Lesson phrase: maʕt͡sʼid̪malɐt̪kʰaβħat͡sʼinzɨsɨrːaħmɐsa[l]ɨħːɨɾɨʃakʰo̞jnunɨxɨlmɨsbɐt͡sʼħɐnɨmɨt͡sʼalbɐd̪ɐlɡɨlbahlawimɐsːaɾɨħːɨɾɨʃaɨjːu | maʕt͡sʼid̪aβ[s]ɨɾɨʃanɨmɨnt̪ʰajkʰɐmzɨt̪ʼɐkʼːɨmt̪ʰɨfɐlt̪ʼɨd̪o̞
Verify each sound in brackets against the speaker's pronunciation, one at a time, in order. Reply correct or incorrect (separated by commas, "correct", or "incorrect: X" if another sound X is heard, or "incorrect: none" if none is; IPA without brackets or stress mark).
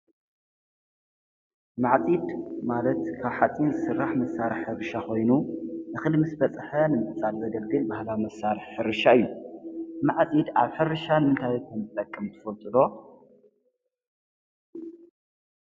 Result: incorrect: ɾ, incorrect: ħ